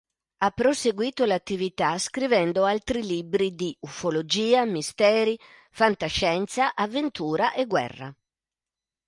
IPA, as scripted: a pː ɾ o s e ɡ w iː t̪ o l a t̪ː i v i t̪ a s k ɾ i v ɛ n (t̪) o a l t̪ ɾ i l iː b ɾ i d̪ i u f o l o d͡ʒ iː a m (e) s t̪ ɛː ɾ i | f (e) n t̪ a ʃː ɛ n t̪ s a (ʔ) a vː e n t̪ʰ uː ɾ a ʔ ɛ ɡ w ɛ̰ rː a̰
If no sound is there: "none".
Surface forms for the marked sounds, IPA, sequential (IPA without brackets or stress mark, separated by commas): d̪, i, a, ʔ